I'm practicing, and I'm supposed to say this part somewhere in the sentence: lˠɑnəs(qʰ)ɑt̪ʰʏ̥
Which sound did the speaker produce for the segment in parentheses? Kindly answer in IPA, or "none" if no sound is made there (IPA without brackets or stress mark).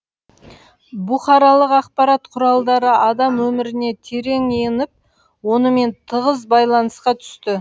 q